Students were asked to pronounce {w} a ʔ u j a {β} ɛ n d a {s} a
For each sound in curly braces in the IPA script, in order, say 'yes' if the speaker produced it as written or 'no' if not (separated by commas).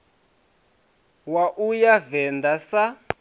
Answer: yes, no, yes